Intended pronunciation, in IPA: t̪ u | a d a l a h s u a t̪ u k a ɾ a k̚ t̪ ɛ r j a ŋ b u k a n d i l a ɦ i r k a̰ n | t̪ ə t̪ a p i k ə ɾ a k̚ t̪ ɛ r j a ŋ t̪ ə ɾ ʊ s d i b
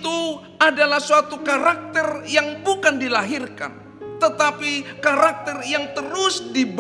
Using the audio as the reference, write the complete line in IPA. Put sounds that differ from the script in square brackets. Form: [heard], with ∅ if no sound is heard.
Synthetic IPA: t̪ u | a d a l a h s u a t̪ u k a ɾ a k̚ t̪ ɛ r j a ŋ b u k a n d i l a ɦ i r k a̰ n | t̪ ə t̪ a p i k [a] ɾ a k̚ t̪ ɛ r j a ŋ t̪ ə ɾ ʊ s d i b